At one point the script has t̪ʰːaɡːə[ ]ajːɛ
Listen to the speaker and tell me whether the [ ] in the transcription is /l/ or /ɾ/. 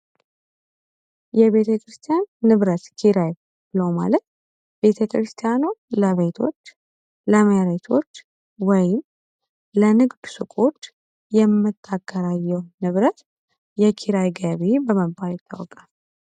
ɾ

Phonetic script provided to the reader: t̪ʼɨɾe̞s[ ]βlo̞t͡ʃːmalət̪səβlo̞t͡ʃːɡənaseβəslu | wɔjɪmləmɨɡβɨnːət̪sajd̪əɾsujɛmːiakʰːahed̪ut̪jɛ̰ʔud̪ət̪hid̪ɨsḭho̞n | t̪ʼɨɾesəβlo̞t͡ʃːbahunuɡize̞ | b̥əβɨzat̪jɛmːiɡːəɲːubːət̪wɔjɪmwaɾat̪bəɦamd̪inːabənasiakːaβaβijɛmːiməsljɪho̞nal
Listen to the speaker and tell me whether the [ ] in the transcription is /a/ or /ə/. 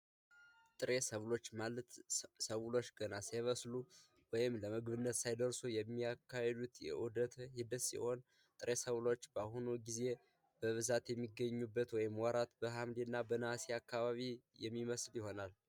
ə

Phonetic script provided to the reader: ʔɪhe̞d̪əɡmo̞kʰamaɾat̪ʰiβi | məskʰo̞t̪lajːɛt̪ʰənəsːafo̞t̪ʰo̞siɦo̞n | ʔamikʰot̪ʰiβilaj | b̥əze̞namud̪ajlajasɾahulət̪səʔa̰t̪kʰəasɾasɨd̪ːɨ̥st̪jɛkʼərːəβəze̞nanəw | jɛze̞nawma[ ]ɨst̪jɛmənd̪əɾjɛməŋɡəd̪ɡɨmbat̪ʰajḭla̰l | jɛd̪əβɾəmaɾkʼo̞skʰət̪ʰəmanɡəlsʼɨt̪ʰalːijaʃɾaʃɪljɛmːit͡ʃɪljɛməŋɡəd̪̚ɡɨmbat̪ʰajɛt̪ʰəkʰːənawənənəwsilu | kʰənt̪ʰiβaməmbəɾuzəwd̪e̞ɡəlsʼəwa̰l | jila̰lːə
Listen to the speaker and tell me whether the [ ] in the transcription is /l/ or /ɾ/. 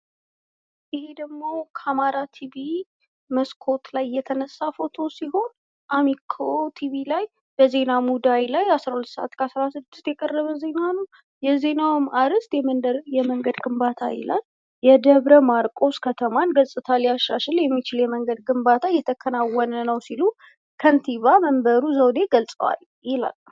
ɾ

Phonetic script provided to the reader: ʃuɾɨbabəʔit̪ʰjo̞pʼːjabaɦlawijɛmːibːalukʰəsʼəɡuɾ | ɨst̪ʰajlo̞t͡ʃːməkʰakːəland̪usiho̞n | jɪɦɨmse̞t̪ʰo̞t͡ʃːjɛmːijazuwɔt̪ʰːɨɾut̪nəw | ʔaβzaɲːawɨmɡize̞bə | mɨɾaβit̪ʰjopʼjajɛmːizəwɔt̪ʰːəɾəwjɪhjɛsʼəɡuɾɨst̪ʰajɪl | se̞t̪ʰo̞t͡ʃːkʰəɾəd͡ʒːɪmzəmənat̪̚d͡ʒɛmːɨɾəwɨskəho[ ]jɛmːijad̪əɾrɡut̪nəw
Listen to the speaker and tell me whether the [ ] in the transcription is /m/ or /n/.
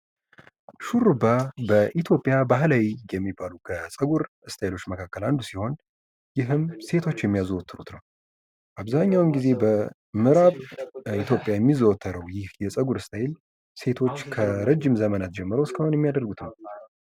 n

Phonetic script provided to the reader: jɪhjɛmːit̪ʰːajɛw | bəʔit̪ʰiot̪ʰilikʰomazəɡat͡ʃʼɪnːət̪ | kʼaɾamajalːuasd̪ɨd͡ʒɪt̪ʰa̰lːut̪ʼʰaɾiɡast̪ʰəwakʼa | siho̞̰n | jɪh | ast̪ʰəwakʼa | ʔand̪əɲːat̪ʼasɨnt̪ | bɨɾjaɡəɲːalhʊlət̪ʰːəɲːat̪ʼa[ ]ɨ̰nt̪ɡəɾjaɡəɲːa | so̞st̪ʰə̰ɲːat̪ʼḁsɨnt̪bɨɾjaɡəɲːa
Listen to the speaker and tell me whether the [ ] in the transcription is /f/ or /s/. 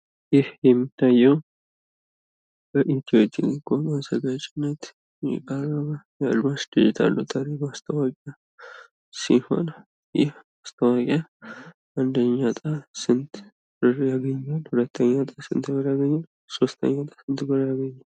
s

